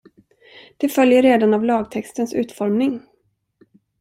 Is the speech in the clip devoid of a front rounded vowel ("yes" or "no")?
no